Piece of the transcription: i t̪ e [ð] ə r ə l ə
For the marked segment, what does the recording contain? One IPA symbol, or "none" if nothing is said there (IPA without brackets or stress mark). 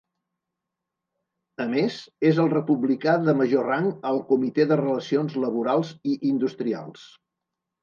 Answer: ð